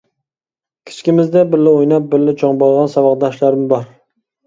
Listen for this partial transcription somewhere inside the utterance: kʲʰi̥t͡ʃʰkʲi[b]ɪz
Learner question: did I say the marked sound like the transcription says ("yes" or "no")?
no